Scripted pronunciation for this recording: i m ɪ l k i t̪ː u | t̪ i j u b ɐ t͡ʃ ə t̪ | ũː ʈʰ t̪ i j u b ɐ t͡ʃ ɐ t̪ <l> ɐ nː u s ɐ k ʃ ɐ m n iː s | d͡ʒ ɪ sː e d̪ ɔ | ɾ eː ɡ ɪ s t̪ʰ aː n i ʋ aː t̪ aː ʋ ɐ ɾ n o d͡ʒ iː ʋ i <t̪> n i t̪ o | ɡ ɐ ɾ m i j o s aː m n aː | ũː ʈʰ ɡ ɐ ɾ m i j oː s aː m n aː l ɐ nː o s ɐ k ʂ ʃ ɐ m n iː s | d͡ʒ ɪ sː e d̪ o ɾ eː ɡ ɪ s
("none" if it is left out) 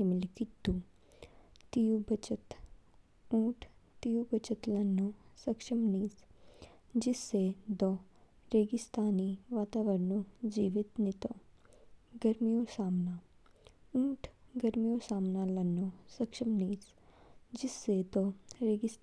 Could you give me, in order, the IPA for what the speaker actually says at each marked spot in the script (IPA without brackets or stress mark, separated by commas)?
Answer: l, t̪